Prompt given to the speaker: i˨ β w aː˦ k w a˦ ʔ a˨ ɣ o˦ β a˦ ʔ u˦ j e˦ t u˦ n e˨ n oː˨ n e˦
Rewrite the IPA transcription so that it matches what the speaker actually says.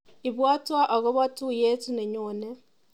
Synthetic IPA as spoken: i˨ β w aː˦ t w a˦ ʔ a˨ ɣ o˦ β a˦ t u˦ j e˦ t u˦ n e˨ ɲ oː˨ n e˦

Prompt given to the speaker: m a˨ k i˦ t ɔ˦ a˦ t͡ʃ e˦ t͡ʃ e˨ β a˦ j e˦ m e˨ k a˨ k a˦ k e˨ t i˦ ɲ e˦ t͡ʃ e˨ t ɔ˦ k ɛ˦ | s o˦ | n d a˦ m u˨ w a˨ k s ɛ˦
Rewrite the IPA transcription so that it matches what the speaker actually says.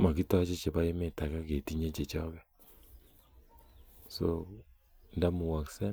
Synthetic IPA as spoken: m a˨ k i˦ t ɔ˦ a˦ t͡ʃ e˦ t͡ʃ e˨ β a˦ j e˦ m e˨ t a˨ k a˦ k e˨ t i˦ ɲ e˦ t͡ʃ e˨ t͡ʃ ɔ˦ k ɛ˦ | s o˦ | n d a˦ m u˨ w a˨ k s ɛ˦

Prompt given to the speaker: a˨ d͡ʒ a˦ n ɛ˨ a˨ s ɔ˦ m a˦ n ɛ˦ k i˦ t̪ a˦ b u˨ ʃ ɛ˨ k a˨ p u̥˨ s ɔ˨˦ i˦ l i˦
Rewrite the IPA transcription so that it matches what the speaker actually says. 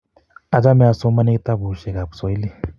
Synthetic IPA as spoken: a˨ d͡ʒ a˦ m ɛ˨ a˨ s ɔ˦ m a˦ n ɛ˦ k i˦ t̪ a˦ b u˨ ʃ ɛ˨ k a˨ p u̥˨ s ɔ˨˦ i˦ l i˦

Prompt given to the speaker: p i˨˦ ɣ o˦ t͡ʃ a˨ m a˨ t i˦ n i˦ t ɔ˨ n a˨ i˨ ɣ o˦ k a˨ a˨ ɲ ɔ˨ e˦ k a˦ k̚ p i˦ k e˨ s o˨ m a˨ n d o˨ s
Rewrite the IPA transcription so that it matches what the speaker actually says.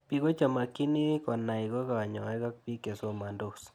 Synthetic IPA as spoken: p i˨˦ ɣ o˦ t͡ʃ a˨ m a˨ k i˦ n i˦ k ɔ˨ n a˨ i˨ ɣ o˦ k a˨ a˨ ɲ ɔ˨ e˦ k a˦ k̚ p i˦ k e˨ s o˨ m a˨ n d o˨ s

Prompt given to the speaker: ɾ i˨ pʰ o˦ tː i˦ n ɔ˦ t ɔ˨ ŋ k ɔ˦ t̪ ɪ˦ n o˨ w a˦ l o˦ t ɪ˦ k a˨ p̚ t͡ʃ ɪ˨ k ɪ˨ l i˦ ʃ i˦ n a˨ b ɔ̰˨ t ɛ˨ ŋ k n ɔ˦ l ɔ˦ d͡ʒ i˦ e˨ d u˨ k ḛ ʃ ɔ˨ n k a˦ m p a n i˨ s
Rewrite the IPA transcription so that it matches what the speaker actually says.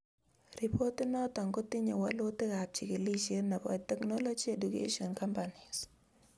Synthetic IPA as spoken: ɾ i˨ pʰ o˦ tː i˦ n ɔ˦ t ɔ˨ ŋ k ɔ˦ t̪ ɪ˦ ɲ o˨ w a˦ l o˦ t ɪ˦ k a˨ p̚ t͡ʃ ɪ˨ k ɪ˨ l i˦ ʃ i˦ n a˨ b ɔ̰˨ t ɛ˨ k n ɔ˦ l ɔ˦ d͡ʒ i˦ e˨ d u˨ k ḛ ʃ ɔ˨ n k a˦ m p a n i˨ s

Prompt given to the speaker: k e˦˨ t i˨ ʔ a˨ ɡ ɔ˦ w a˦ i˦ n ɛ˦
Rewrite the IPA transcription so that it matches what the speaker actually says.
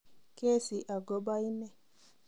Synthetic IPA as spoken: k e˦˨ s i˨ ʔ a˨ ɡ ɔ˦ b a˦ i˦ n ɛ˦

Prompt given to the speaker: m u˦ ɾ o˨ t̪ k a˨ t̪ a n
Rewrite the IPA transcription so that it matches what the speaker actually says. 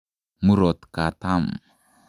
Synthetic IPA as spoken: m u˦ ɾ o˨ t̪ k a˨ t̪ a m

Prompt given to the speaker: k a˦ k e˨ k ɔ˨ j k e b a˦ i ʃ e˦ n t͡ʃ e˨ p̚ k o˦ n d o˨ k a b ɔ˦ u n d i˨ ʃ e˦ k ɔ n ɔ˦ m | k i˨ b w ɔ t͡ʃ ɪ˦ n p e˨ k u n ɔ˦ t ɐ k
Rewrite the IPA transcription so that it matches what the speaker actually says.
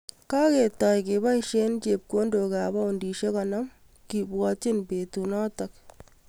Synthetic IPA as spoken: k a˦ k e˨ t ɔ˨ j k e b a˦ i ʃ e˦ n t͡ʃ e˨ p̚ k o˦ n d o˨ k a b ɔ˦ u n d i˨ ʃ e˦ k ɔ n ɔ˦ m | k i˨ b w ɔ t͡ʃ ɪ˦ n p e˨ t u n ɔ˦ t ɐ k

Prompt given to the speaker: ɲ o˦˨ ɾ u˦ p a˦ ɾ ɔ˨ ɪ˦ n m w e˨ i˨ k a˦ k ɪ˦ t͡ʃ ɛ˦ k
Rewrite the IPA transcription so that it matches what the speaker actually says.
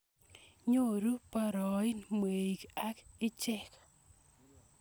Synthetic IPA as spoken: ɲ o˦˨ ɾ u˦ p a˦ ɾ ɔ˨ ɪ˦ n m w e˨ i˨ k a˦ k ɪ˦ t͡ʃ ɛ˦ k

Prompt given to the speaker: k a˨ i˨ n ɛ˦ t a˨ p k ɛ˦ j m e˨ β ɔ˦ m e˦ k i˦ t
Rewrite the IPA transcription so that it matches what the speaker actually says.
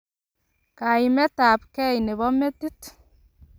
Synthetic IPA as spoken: k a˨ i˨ m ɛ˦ t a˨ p k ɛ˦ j n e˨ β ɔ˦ m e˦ t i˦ t

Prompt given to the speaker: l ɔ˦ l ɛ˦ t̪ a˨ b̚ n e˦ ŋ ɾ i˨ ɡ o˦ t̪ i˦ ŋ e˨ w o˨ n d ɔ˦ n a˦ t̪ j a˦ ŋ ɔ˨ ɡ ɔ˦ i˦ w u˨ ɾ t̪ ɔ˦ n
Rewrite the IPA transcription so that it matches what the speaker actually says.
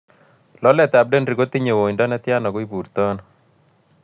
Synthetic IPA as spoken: l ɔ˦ l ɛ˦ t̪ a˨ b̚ d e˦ n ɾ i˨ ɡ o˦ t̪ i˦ ɲ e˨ w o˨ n d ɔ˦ n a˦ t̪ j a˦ n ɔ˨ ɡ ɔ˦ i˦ b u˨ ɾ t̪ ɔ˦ n

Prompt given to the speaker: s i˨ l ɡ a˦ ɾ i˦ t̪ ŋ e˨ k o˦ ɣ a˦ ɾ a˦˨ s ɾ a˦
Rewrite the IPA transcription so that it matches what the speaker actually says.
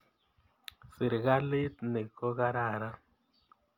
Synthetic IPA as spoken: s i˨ ɾ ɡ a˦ l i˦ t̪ n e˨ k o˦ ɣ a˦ ɾ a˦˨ ɾ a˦

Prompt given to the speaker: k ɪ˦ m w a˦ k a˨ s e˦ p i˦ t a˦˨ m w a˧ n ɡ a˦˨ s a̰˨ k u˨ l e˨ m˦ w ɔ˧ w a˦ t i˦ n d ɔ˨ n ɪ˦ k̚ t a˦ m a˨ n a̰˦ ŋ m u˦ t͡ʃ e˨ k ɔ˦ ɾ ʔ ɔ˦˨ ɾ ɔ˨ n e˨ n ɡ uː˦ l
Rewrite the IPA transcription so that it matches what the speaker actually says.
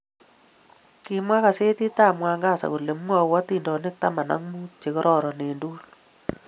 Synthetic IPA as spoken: k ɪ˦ m w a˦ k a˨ s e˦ t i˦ t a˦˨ m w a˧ ŋ ɡ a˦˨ s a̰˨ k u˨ l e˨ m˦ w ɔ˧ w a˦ t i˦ n d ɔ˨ n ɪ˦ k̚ t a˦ m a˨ n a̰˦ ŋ m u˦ t͡ʃ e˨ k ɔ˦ ɾ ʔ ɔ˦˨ ɾ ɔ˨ n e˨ n d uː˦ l

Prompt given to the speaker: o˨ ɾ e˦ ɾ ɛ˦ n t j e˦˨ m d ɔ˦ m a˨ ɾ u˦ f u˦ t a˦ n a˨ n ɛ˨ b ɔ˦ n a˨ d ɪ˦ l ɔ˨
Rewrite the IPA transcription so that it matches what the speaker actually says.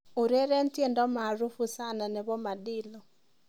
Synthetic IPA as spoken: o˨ ɾ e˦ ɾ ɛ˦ n t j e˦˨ n d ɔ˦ m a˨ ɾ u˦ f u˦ s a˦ n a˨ n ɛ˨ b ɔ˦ m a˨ d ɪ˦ l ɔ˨

